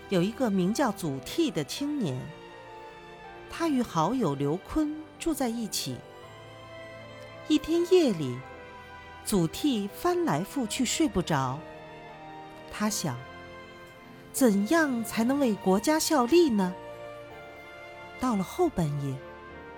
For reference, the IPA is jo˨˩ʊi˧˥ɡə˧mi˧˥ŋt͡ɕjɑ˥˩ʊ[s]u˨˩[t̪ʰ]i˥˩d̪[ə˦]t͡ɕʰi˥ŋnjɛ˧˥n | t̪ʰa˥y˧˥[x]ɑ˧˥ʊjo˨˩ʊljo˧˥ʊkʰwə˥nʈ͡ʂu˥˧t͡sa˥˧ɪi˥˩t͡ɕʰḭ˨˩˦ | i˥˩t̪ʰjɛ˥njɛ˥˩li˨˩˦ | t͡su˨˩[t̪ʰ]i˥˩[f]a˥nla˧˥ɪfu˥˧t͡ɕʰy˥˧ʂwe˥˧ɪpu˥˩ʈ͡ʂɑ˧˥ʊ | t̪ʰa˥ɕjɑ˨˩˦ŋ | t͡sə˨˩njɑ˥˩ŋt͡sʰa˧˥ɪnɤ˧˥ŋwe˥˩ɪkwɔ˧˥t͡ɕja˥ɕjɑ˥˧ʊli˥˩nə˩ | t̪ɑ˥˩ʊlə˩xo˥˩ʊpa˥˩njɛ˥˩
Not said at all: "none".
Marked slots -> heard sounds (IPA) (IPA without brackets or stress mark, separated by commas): t͡s, t̪ʰ, ə˩, x, t̪ʰ, f